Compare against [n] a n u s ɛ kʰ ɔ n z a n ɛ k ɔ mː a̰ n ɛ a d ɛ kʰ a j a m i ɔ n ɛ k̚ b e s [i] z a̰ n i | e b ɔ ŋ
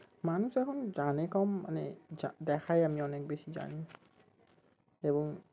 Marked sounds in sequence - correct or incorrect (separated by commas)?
incorrect, correct